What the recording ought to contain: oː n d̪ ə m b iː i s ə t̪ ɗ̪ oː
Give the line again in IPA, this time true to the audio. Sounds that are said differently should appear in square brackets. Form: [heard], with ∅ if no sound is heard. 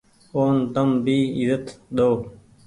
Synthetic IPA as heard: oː n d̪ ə m b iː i [z] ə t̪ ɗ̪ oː

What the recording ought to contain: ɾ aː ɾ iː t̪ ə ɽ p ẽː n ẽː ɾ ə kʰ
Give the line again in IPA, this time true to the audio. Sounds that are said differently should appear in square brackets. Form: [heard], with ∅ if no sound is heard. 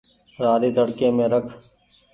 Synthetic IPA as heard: ɾ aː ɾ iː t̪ ə ɽ [k] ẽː [m] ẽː ɾ ə kʰ

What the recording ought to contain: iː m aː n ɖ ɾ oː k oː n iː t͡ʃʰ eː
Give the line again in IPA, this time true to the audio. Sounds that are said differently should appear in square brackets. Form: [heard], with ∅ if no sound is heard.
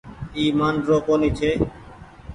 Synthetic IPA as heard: iː m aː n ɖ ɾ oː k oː n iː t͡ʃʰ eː

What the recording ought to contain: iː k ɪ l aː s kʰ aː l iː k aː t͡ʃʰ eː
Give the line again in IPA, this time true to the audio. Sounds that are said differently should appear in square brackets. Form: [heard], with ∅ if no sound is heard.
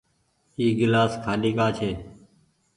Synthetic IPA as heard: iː [ɡ] ɪ l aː s kʰ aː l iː k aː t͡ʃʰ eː

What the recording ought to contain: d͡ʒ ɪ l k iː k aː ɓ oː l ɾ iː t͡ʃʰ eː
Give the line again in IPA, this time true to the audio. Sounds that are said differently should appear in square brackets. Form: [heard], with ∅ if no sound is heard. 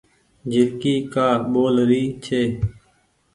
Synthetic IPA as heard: d͡ʒ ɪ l k iː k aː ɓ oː l ɾ iː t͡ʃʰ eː

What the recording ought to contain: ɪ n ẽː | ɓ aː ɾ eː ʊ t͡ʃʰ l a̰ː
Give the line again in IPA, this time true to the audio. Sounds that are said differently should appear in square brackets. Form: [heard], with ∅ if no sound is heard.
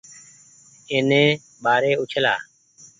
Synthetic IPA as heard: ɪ n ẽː | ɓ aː ɾ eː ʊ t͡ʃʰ l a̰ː

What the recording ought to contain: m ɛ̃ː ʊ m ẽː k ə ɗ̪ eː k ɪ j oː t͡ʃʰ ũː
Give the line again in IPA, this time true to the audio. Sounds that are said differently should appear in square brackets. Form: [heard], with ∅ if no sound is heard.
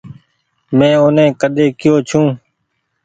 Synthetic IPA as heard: m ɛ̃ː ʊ [n] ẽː k ə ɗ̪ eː k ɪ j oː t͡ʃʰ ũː

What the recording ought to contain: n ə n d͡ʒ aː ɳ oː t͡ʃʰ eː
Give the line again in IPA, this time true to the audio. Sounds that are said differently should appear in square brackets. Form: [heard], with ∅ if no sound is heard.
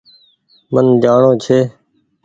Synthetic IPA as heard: [m] ə n d͡ʒ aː ɳ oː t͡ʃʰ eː

